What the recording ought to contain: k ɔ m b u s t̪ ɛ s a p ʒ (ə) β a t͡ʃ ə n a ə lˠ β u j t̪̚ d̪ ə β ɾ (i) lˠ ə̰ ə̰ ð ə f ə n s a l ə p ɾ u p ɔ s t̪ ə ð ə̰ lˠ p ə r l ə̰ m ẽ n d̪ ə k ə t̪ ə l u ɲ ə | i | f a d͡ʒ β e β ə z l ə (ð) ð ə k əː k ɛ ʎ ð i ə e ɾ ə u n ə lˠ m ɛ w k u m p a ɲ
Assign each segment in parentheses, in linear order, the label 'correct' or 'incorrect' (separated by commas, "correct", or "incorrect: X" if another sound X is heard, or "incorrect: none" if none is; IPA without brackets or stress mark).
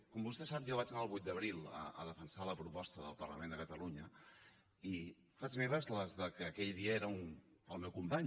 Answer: incorrect: a, correct, incorrect: z